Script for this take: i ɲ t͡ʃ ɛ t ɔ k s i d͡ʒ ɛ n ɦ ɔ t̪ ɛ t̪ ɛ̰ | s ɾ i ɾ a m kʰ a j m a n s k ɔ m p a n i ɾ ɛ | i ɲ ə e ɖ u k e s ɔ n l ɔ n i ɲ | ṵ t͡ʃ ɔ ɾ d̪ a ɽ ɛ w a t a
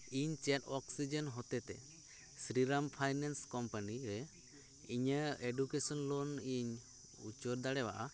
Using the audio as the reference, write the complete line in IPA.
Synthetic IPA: i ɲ t͡ʃ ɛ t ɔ k s i d͡ʒ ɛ n ɦ ɔ t̪ ɛ t̪ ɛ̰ | s ɾ i ɾ a m pʰ a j n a n s k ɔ m p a n i ɾ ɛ | i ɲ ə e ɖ u k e s ɔ n l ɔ n i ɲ | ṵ t͡ʃ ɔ ɾ d̪ a ɽ ɛ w a ʔ a